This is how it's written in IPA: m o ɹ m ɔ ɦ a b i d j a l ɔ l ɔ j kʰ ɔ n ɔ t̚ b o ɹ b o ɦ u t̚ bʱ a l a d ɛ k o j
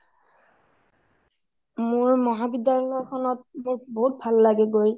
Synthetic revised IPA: m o ɹ m ɔ ɦ a b i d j a l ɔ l ɔ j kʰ ɔ n ɔ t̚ m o ɹ b o ɦ u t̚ bʱ a lː a ɡ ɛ ɡ o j